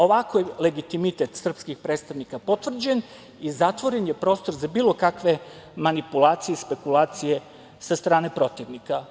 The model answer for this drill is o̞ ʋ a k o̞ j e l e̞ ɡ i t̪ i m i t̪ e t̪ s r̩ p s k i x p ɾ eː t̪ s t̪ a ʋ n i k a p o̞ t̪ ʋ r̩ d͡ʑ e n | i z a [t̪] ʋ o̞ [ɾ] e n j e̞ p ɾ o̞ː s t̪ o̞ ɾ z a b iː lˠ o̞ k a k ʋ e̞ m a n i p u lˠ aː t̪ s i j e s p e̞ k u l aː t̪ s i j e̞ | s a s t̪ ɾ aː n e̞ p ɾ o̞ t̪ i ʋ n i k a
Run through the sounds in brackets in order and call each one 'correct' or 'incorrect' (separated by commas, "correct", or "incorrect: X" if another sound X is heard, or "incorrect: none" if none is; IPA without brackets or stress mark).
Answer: correct, correct